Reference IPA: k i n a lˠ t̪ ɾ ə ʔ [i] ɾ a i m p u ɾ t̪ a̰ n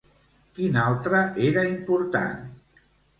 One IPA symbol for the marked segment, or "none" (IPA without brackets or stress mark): e